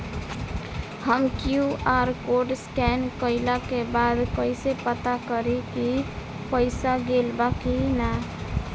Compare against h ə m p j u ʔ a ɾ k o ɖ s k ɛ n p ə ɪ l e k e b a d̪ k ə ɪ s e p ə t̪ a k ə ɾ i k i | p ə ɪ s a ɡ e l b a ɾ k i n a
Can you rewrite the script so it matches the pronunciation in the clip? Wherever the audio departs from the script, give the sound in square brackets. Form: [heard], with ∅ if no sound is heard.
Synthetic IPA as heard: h ə m [k] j u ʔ a ɾ k o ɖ s k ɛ n [k] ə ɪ l [a] k e b a d̪ k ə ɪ s e p ə t̪ a k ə ɾ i k i | p ə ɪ s a ɡ e l b a [∅] k i n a